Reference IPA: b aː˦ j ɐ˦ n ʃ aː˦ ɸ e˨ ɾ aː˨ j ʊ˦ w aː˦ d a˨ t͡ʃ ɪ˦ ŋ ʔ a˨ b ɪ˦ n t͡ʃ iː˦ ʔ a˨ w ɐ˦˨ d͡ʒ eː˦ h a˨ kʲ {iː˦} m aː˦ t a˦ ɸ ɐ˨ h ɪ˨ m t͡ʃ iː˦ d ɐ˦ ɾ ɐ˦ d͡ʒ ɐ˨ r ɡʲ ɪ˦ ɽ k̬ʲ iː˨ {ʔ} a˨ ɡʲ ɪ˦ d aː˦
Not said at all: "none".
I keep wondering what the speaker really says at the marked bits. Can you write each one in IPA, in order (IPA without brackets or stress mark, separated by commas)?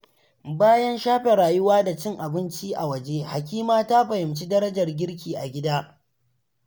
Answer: iː˦, ʔ